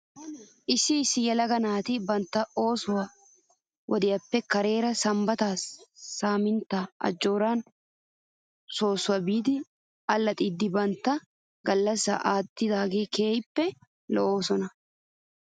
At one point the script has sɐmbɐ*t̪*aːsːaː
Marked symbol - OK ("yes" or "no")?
yes